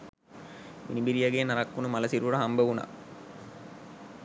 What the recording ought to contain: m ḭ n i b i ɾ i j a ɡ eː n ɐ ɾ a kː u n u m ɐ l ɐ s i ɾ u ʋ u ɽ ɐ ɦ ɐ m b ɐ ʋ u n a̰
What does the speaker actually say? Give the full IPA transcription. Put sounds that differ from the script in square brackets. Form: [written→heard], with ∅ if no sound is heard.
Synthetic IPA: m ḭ n i b i ɾ i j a ɡ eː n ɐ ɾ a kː u n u m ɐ l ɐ s i ɾ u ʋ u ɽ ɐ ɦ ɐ m b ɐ ʋ u n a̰